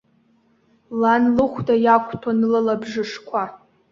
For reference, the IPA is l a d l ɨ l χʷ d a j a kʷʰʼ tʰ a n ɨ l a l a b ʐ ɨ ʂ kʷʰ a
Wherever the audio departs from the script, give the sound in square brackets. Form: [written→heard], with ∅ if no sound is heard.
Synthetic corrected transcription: l a [d→n] l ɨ [l→∅] χʷ d a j a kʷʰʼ tʰ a n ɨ l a l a b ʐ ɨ ʂ kʷʰ a

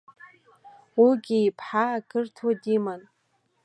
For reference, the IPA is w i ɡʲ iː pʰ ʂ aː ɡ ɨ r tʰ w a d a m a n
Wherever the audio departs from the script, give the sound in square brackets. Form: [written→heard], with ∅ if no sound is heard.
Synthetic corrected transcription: w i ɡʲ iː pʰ [ʂ→ħ] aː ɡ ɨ r tʰ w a d [a→i] m a n

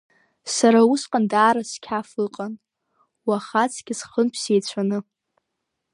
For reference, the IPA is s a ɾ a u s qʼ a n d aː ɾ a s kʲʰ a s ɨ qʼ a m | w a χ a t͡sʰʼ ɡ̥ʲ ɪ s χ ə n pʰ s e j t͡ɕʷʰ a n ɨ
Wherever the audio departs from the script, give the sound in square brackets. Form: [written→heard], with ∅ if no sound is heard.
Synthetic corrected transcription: s a ɾ a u s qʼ a n d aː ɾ a s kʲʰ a [s→f] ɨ qʼ a [m→n] | w a χ a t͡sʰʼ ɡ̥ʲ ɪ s χ ə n pʰ s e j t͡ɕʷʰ a n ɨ

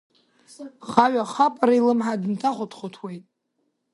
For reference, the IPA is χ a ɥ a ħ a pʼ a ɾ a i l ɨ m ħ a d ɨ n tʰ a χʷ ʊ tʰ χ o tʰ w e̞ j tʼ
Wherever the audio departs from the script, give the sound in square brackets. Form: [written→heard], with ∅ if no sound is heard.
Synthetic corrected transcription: χ a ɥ a [ħ→χ] a pʼ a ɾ a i l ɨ m ħ a d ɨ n tʰ a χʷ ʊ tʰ χ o tʰ w e̞ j tʼ

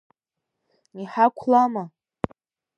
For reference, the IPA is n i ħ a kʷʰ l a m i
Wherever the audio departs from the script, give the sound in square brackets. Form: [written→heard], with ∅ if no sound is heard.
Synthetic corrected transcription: n i ħ a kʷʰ l a m [i→a]

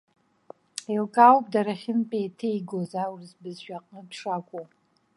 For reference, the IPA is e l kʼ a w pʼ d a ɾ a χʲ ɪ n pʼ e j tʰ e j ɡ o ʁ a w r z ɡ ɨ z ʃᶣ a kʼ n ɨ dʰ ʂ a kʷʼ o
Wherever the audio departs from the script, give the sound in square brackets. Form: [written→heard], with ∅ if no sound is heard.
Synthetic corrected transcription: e l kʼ a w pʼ d a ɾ a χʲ ɪ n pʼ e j tʰ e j ɡ o [ʁ→z] a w r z [ɡ→b] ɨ z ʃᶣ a [kʼ→qʼ] n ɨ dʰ ʂ a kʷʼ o

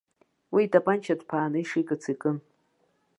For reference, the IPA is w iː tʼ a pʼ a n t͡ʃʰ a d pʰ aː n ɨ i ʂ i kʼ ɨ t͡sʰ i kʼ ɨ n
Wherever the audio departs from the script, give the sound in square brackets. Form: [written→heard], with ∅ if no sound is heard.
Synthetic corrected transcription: w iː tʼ a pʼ a n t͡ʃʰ a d pʰ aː n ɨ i ʂ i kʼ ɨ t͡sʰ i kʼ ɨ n

